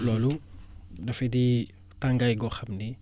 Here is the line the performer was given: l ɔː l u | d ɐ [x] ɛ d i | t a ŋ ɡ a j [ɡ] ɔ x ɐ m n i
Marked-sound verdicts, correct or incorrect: incorrect: f, correct

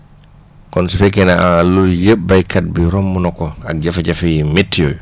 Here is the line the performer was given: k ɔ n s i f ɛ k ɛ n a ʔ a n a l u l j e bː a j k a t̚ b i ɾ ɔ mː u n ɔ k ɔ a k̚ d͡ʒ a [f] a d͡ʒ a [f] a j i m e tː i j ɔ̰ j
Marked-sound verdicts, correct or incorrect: correct, correct

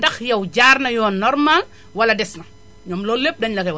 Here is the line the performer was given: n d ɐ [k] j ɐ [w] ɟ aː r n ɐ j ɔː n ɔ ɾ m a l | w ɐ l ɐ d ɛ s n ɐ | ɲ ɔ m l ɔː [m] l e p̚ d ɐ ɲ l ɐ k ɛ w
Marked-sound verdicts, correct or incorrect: incorrect: x, correct, incorrect: none

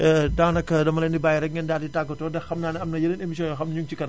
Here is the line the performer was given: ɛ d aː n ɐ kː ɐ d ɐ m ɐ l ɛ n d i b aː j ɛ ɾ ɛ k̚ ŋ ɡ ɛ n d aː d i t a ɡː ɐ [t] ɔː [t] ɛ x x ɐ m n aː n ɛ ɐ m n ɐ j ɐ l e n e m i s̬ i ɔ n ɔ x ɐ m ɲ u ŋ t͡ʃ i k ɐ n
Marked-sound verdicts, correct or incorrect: correct, incorrect: d

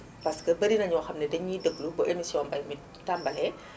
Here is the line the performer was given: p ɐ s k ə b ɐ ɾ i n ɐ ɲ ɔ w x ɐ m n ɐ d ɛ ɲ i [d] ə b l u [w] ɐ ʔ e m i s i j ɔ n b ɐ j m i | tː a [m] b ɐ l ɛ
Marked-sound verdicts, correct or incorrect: correct, incorrect: b, correct

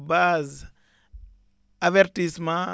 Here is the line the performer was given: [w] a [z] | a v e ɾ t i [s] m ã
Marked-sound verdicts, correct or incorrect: incorrect: b, correct, correct

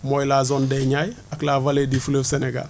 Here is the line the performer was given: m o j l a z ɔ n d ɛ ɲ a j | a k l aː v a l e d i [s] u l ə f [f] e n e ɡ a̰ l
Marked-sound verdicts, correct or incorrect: incorrect: f, incorrect: s

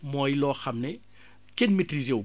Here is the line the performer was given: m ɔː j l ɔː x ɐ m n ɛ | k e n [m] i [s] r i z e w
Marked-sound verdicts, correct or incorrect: correct, incorrect: t

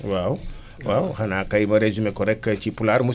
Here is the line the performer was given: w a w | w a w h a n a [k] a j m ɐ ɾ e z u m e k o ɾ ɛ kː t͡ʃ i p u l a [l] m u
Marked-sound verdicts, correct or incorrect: correct, incorrect: ɾ

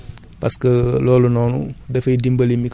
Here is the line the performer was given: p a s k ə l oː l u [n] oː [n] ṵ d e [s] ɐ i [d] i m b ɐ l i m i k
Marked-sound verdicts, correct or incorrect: correct, correct, incorrect: f, correct

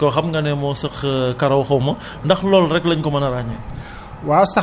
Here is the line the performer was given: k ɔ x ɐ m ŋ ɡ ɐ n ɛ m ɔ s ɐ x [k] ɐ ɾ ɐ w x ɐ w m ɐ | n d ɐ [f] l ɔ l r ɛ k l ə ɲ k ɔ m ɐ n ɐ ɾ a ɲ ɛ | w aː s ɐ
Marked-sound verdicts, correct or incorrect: correct, incorrect: x

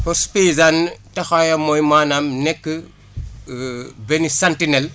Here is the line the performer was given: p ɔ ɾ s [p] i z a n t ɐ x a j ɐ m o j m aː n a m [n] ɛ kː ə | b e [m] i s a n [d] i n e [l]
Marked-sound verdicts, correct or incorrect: correct, correct, incorrect: n, incorrect: t, correct

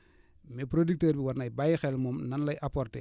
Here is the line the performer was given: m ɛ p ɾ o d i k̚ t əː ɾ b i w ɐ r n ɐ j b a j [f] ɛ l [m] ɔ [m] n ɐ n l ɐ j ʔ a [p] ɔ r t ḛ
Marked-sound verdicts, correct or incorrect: incorrect: x, correct, correct, correct

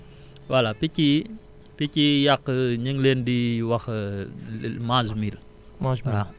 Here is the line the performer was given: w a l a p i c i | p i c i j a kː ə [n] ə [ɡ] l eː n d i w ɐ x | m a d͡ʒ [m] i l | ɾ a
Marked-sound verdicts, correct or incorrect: incorrect: ɲ, incorrect: ŋ, correct

